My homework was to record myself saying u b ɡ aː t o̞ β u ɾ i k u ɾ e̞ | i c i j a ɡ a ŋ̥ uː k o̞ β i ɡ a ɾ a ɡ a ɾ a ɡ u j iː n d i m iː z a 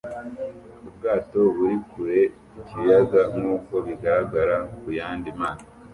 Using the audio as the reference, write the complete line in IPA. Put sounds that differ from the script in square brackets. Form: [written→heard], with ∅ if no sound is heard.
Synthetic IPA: u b ɡ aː t o̞ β u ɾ i k u ɾ e̞ | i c i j a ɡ a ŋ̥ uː k o̞ β i ɡ a ɾ a ɡ a ɾ a [ɡ→k] u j [iː→aː] n d i m [iː→aː] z a

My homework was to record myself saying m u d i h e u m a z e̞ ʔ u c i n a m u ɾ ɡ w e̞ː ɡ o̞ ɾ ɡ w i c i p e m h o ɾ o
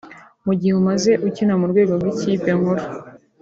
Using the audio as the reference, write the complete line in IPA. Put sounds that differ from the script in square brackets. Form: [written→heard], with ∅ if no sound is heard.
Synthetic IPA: m u [d→ɟ] i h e u m a z e̞ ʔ u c i n a m u ɾ ɡ w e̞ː ɡ o̞ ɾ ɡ w i c i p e [m→ŋ] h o ɾ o

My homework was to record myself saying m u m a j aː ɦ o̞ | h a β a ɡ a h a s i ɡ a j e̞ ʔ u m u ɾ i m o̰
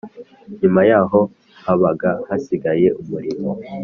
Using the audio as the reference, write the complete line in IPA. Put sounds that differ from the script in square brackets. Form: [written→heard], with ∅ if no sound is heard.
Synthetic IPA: [m→ɲ] u m a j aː ɦ o̞ | h a β a ɡ a h a s i ɡ a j e̞ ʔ u m u ɾ i m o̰

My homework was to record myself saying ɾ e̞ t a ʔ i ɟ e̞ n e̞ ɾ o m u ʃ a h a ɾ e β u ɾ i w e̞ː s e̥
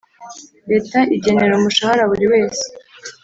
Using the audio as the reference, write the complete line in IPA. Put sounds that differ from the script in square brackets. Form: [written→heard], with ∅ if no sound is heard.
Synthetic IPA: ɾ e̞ t a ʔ i ɟ e̞ n e̞ ɾ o m u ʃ a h a ɾ [e→a] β u ɾ i w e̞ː s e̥

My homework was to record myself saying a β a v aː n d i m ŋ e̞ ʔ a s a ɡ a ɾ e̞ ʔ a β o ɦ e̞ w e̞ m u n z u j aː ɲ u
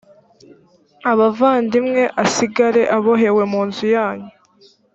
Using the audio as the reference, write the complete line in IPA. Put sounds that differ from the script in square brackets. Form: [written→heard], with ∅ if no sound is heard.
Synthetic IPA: a β a v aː n d i m ŋ e̞ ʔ a s [a→i] ɡ a ɾ e̞ ʔ a β o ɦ e̞ w e̞ m [u→uː] n z u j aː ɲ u

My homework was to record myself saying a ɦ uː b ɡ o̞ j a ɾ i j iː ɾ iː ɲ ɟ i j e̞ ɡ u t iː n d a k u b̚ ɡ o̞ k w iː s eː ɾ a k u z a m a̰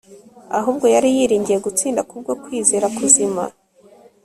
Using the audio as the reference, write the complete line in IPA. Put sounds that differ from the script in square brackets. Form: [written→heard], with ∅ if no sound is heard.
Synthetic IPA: a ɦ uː b ɡ o̞ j a ɾ i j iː ɾ iː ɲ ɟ i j e̞ ɡ u [t→t͡s] iː n d a k u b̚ ɡ o̞ k w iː [s→z] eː ɾ a k u z [a→i] m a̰

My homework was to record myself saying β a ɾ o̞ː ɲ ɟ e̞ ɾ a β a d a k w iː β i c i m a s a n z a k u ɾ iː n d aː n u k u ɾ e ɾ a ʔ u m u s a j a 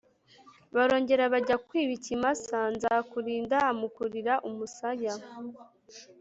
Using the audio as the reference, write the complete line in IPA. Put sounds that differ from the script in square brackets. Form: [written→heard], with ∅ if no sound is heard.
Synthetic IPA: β a ɾ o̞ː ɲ ɟ e̞ ɾ a β a [d→ɟ] a k w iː β i c i m a s a n z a k u ɾ iː n d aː [n→m] u k u ɾ [e→i] ɾ a ʔ u m u s a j a

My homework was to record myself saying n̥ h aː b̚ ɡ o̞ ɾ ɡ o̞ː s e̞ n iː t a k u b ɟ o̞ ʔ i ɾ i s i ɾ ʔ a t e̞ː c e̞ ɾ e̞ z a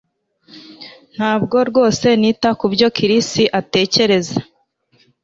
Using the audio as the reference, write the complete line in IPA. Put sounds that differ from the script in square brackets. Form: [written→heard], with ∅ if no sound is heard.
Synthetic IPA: n̥ h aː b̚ ɡ o̞ ɾ ɡ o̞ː s e̞ n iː t a k u b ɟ o̞ [ʔ→k] i ɾ i s i [ɾ→∅] ʔ a t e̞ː c e̞ ɾ e̞ z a

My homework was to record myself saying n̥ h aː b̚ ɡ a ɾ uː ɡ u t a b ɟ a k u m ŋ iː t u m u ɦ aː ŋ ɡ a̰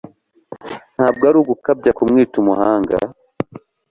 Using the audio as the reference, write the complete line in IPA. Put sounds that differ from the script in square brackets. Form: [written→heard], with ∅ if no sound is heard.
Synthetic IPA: n̥ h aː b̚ ɡ a ɾ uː ɡ u [t→k] a b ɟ a k u m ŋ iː t u m u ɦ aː ŋ ɡ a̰

